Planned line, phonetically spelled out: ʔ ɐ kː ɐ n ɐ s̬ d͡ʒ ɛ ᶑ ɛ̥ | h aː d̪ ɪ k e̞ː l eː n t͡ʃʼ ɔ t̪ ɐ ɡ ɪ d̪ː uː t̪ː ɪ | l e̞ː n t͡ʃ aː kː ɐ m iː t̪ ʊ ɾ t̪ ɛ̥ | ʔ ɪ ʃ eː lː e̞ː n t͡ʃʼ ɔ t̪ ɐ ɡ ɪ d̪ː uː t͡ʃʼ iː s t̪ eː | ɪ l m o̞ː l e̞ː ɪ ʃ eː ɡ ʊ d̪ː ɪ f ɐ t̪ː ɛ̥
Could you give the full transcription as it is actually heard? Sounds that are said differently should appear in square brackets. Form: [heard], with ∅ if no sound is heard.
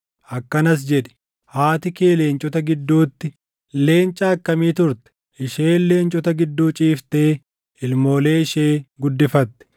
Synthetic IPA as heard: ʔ ɐ kː ɐ n ɐ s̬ d͡ʒ ɛ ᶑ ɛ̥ | h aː [t̪] ɪ k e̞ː l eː n t͡ʃʼ ɔ t̪ ɐ ɡ ɪ d̪ː uː t̪ː ɪ | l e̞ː n [t͡ʃʼ] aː kː ɐ m iː t̪ ʊ ɾ t̪ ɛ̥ | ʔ ɪ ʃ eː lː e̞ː n t͡ʃʼ ɔ t̪ ɐ ɡ ɪ d̪ː uː t͡ʃʼ iː [f] t̪ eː | ɪ l m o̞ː l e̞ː ɪ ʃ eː ɡ ʊ d̪ː ɪ f ɐ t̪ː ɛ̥